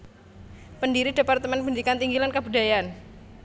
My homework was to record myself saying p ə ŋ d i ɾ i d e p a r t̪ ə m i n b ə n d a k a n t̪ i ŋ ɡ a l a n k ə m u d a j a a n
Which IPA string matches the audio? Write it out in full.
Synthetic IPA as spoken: p ə n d i ɾ i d e p a r t̪ ə m ɛ n b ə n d i k a n t̪ i ŋ ɡ i l a n k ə b u d a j a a n